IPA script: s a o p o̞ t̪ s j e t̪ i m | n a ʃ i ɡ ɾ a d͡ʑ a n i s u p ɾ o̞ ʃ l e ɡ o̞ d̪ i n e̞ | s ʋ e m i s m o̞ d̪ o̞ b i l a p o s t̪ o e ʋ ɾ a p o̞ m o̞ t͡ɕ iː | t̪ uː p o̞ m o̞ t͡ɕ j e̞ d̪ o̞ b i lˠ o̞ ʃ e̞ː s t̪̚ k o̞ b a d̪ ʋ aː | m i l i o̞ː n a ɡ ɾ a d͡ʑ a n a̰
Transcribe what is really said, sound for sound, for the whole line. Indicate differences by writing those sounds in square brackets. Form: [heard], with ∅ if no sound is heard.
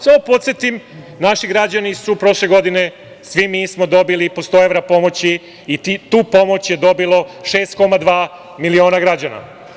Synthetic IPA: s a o p o̞ t̪ s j e t̪ i m | n a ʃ i ɡ ɾ a d͡ʑ a n i s u p ɾ o̞ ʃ l e ɡ o̞ d̪ i n e̞ | s ʋ [i] m i s m o̞ d̪ o̞ b i l [i] p o s t̪ o e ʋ ɾ a p o̞ m o̞ t͡ɕ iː | t̪ uː p o̞ m o̞ t͡ɕ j e̞ d̪ o̞ b i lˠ o̞ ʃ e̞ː s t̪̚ k o̞ [m] a d̪ ʋ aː | m i l i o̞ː n a ɡ ɾ a d͡ʑ a n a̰